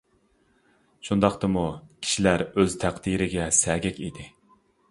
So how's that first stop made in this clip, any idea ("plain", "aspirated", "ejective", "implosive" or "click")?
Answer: plain